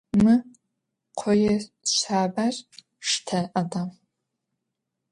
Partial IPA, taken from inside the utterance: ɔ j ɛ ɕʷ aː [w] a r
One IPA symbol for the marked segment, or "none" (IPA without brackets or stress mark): b